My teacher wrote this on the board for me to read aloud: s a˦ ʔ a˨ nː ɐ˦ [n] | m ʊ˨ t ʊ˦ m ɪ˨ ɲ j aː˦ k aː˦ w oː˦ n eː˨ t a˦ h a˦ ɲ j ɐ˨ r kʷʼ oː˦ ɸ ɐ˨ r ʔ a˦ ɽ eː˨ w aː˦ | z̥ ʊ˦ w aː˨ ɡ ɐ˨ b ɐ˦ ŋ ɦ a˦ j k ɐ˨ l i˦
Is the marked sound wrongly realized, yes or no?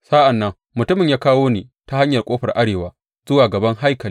yes